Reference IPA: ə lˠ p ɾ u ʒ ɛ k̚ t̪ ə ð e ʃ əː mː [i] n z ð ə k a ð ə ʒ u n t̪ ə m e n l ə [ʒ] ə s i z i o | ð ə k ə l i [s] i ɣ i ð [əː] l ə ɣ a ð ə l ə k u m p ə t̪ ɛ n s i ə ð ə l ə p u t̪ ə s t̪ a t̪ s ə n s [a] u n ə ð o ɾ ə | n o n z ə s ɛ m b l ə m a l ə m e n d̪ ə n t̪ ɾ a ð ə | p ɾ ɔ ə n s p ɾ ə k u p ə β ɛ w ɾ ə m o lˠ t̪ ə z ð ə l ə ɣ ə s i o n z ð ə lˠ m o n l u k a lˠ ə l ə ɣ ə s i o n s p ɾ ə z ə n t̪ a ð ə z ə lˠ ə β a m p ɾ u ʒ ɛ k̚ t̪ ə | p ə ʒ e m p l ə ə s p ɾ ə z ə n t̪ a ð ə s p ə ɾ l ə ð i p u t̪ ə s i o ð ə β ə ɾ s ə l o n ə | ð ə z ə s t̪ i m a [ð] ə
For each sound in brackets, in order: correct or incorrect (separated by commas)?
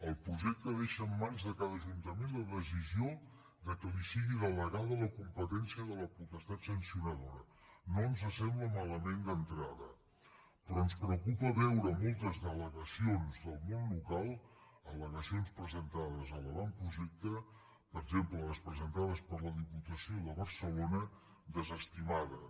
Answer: incorrect, incorrect, correct, incorrect, incorrect, correct